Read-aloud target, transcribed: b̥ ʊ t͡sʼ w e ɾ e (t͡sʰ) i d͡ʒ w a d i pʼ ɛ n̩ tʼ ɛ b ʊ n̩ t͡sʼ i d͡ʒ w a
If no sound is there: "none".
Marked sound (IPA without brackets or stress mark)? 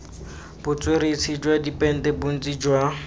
t͡sʰ